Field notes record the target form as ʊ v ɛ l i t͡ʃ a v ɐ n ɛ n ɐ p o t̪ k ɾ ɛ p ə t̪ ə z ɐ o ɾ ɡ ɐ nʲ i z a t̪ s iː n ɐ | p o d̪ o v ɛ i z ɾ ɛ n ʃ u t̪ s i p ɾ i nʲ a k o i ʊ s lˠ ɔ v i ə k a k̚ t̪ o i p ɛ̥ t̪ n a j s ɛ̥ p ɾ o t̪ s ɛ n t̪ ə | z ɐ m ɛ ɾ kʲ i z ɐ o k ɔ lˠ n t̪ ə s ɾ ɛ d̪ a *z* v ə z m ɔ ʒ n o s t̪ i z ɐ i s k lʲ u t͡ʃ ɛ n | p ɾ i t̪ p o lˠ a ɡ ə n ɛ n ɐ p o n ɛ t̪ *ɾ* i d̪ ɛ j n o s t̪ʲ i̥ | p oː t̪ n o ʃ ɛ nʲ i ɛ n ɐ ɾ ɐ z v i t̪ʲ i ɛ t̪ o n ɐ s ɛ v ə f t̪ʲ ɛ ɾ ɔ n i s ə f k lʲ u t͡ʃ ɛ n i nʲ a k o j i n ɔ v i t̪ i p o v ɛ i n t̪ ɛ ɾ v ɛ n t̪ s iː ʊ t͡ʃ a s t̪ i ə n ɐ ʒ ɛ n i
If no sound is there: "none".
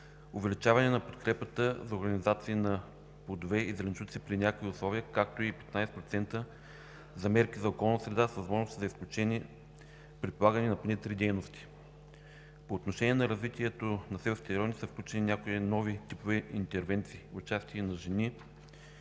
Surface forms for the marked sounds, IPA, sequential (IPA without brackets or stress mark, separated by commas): s, ɾ